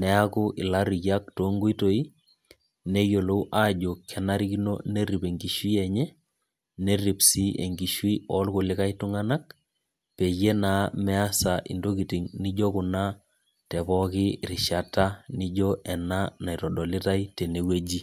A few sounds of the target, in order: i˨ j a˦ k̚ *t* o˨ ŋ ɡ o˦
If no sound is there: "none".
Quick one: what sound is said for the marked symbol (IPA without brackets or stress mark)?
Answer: t